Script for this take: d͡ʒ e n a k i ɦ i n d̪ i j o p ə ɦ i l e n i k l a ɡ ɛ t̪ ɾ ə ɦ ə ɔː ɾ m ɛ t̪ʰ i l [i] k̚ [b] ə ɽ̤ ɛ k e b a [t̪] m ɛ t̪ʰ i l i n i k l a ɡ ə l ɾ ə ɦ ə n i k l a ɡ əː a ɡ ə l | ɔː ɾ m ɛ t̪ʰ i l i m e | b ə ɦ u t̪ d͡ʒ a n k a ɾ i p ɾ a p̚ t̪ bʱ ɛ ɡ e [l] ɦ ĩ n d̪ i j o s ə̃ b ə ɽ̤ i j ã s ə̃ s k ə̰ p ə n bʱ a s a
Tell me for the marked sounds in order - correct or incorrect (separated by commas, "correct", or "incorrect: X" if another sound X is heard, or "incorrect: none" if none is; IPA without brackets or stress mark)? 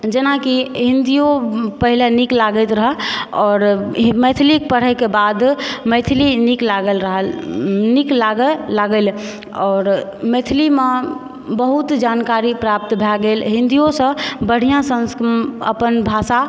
correct, incorrect: p, incorrect: d̪, correct